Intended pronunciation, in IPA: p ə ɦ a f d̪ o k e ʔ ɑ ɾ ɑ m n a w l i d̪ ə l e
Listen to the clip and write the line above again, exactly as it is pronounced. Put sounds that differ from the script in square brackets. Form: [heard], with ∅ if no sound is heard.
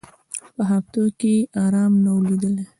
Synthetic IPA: p ə ɦ a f [t̪] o k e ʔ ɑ ɾ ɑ m n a w l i d̪ ə l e